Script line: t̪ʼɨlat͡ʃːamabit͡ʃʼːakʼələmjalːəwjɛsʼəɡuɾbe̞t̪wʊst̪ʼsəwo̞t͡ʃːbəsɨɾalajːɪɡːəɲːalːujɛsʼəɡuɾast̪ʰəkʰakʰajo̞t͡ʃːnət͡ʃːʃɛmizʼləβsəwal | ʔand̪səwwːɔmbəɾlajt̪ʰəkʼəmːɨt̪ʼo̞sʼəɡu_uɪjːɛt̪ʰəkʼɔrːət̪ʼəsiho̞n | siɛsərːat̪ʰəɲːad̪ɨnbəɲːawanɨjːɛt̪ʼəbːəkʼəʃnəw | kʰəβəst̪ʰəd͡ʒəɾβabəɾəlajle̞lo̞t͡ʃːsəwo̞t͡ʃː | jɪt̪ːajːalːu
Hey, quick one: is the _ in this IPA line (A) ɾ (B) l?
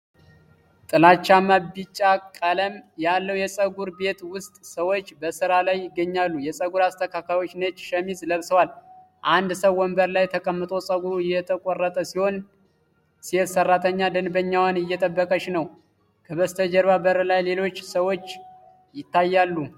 A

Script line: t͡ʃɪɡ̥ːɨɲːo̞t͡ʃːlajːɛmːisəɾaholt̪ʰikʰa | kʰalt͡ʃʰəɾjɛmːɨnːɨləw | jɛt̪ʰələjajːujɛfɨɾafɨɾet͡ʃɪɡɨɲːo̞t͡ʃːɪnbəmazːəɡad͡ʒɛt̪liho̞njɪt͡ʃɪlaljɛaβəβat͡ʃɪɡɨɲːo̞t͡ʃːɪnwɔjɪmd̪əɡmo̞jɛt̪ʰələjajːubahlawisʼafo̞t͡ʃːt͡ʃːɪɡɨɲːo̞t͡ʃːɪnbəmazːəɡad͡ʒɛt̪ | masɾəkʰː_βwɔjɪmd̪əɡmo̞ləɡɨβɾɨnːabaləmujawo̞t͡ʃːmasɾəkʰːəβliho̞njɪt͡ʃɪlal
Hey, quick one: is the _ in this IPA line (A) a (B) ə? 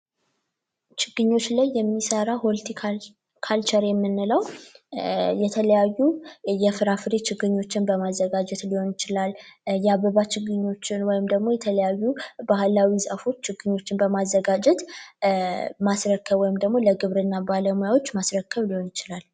B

